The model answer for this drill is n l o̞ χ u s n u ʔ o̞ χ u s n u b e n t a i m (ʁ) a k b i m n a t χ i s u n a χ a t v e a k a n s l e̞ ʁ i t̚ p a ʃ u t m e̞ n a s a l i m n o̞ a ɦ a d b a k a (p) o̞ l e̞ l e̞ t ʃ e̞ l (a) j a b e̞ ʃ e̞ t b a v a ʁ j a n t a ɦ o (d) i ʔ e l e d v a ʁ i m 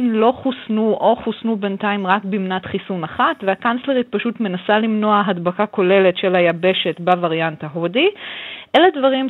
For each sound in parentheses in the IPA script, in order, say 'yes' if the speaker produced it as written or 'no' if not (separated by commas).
yes, no, yes, yes